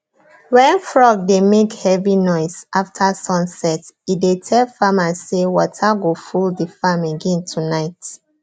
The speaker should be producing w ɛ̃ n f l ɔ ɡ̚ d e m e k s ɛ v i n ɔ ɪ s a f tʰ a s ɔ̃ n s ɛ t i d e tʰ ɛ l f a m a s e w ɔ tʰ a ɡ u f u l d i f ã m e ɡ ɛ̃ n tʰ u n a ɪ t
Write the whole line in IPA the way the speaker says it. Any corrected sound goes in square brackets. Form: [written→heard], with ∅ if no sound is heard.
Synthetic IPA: w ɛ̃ n f [l→ɹ] ɔ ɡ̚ d e m e k [s→h] ɛ v i n ɔ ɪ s a f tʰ a s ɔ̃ n s ɛ t i d e tʰ ɛ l f a m a s e w ɔ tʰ a ɡ [u→o] f u l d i f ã m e ɡ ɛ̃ n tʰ u n a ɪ t